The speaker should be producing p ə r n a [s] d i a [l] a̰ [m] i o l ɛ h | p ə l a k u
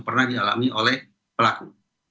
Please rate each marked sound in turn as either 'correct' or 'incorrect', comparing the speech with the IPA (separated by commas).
incorrect, correct, correct